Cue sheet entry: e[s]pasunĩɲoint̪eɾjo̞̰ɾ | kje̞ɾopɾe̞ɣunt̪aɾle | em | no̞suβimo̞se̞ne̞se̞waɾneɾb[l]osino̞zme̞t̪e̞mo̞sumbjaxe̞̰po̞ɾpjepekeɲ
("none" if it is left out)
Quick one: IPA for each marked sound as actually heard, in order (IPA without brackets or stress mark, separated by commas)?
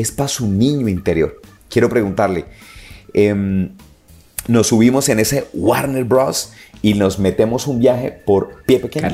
s, ɾ